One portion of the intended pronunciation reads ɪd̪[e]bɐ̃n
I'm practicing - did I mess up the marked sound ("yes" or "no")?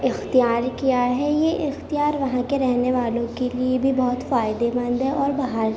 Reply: no